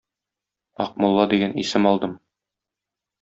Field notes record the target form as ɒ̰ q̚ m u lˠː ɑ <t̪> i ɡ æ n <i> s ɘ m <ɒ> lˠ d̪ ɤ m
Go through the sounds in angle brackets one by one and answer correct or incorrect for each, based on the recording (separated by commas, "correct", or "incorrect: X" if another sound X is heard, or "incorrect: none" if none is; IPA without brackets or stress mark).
incorrect: d̪, correct, correct